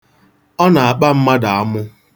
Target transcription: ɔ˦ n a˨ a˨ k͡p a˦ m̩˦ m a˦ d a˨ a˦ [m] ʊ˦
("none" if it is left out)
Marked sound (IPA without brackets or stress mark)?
m